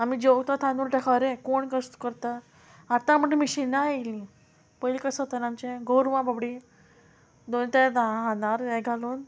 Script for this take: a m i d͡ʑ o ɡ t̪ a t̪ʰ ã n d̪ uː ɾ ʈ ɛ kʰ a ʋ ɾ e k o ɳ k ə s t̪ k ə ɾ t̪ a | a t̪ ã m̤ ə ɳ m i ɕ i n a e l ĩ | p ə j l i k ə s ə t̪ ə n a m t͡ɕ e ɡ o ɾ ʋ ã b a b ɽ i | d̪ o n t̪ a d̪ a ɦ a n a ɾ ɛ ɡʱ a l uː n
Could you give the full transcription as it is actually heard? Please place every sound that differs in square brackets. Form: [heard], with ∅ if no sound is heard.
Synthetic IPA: a m i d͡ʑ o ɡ t̪ a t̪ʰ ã n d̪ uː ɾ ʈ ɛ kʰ a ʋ ɾ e k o ɳ k ə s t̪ k ə ɾ t̪ a | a t̪ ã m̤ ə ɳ m i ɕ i n a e l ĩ | p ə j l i k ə s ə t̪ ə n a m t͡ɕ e ɡ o ɾ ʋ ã b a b ɽ i | d̪ o n t̪ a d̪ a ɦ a n a ɾ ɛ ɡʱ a l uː n

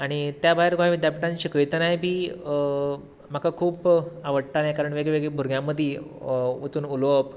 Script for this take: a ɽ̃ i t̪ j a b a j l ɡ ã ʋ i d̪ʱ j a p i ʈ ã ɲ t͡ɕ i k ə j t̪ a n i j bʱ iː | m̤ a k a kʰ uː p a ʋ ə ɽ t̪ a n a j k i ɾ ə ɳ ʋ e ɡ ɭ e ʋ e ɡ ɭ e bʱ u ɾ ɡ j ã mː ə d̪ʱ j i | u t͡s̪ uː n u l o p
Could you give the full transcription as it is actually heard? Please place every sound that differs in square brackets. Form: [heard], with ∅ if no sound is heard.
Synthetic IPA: a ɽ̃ i t̪ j a b a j [ɾ] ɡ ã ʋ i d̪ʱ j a p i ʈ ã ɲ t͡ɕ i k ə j t̪ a n [a] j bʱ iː | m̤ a k a kʰ uː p a ʋ ə ɽ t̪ a n a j k [a] ɾ ə ɳ ʋ e ɡ ɭ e ʋ e ɡ ɭ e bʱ u ɾ ɡ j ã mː ə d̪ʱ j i | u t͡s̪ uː n u l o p

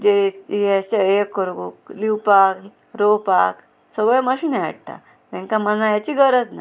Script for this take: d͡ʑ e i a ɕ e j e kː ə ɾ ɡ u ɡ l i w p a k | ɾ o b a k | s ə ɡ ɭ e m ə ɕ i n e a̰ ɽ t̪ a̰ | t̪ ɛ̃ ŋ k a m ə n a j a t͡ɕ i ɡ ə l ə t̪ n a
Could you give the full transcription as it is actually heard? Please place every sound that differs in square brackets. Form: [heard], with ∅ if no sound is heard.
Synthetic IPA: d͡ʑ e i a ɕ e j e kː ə ɾ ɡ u [k] l i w p a k | ɾ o [p] a k | s ə ɡ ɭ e m ə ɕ i n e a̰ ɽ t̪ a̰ | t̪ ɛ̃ ŋ k a m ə n a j a t͡ɕ i ɡ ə [ɾ] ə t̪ n a

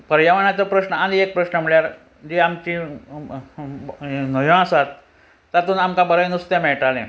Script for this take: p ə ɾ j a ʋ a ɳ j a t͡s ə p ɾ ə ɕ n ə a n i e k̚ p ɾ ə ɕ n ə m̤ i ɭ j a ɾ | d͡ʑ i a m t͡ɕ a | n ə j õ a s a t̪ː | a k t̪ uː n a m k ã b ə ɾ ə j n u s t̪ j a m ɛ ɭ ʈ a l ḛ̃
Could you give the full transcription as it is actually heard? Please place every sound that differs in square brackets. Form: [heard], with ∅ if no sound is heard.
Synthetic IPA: p ə ɾ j a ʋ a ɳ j a t͡s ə p ɾ ə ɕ n ə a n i e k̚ p ɾ ə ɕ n ə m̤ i ɭ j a ɾ | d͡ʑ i a m t͡ɕ [i] | n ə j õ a s a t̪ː | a [∅] t̪ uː n a m k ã b ə ɾ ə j n u s t̪ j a m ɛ ɭ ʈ a l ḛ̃

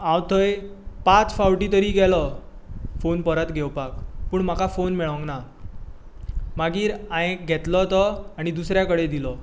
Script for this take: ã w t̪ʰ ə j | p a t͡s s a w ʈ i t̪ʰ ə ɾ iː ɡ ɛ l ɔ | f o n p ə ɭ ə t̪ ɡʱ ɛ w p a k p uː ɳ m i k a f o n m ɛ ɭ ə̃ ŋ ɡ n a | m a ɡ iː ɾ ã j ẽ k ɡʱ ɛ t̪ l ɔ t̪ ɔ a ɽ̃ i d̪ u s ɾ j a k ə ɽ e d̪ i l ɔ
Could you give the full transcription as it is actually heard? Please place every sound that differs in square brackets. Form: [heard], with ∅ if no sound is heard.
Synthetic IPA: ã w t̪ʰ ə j | p a t͡s [f] a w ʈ i [t̪] ə ɾ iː ɡ ɛ l ɔ | f o n p ə [ɾ] ə t̪ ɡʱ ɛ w p a k p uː ɳ m [a] k a f o n m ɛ ɭ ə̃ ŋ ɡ n a | m a ɡ iː ɾ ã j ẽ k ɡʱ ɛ t̪ l ɔ t̪ ɔ a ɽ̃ i d̪ u s ɾ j a k ə ɽ e d̪ i l ɔ

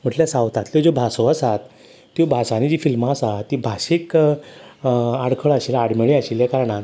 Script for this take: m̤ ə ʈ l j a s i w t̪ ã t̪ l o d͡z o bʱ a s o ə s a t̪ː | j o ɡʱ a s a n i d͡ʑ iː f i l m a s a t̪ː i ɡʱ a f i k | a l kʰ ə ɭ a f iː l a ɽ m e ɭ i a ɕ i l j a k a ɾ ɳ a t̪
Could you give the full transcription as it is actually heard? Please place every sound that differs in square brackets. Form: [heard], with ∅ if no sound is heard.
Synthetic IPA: m̤ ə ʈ l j a s [a] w t̪ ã t̪ l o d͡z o bʱ a s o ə s a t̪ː | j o [bʱ] a s a n i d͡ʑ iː f i l m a s a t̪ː i [bʱ] a [ɕ] i k | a [ɽ] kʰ ə ɭ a [ɕ] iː l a ɽ m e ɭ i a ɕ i l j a k a ɾ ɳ a t̪

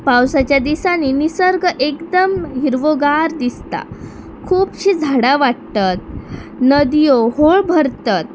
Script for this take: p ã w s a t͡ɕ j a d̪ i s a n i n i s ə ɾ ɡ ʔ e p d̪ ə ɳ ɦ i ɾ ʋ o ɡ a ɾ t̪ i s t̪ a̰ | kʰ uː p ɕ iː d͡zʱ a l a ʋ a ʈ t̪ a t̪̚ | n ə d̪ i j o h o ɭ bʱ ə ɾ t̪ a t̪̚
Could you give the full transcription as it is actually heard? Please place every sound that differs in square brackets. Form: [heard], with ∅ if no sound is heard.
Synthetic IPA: p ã w s a t͡ɕ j a d̪ i s a n i n i s ə ɾ ɡ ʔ e [k] d̪ ə [m] ɦ i ɾ ʋ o ɡ a ɾ [d̪] i s t̪ a̰ | kʰ uː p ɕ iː d͡zʱ a [ɽ] a ʋ a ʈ t̪ a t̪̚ | n ə d̪ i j o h o ɭ bʱ ə ɾ t̪ a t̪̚

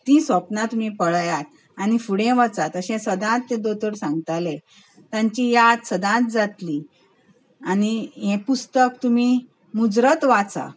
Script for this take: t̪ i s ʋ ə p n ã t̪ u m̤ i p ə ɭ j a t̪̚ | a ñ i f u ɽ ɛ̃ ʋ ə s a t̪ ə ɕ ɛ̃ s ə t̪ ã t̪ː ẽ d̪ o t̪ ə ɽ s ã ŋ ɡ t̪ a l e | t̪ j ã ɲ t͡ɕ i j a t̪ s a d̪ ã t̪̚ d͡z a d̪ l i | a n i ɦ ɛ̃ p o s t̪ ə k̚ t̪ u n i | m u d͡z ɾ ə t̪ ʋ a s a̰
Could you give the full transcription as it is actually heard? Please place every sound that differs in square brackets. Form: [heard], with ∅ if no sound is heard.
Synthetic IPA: t̪ i s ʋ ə p n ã t̪ u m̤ i p ə ɭ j a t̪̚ | a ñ i f u ɽ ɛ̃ ʋ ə [t͡s] a t̪ ə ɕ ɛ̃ s ə [d̪] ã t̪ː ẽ d̪ o t̪ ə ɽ s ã ŋ ɡ t̪ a l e | t̪ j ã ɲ t͡ɕ i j a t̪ s [ə] d̪ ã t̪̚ d͡z a [t̪] l i | a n i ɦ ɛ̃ p [u] s t̪ ə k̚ t̪ u [m] i | m u d͡z ɾ ə t̪ ʋ a [t͡s] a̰

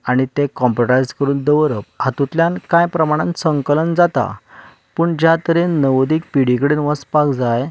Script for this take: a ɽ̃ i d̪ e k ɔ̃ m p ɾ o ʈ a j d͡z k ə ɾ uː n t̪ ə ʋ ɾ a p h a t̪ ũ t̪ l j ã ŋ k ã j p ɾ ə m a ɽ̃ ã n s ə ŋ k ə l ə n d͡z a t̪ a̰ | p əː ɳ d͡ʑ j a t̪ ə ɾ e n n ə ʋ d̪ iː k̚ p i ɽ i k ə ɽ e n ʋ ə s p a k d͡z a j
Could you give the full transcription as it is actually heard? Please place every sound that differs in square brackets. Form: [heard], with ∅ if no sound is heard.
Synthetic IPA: a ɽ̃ i [t̪] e k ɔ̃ m p ɾ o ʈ a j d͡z k ə ɾ uː n [d̪] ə ʋ ɾ [ə] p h a t̪ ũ t̪ l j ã [n] k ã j p ɾ ə m a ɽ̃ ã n s ə ŋ k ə l ə n d͡z a t̪ a̰ | p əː ɳ d͡ʑ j a t̪ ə ɾ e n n ə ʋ d̪ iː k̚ p i ɽ i k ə ɽ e n ʋ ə s p a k d͡z a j

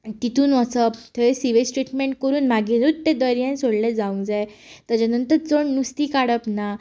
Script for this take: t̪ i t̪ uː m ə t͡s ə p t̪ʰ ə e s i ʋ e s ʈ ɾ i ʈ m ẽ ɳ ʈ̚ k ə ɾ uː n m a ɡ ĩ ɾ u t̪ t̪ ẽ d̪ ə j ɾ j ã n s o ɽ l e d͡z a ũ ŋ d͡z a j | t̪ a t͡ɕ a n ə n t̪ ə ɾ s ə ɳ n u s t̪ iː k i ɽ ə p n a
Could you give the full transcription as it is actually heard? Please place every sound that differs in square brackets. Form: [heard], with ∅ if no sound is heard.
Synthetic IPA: t̪ i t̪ uː [n] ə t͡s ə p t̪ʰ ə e s i ʋ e s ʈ ɾ i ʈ m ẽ ɳ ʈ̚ k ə ɾ uː n m a ɡ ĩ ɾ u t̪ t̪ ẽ d̪ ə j ɾ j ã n s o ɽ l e d͡z a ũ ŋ d͡z a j | t̪ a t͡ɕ a n ə n t̪ ə ɾ [t͡s] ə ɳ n u s t̪ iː k [a] ɽ ə p n a

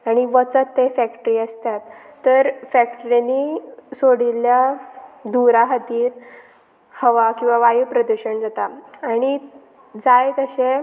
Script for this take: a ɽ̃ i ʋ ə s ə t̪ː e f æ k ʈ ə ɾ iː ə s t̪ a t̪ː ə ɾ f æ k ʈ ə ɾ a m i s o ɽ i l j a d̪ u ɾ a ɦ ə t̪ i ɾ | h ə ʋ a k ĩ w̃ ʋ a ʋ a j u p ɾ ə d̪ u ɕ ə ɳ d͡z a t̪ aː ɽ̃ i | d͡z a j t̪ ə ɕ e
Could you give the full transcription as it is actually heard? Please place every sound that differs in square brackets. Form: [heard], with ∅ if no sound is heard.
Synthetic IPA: a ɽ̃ i ʋ ə [t͡s] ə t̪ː e f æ k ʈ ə ɾ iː ə s t̪ a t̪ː ə ɾ f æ k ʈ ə ɾ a [n] i s o ɽ i l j a d̪ u ɾ a ɦ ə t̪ [iː] ɾ | h ə ʋ a k ĩ w̃ ʋ a ʋ a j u p ɾ ə d̪ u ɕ ə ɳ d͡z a t̪ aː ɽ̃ i | d͡z a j t̪ ə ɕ e

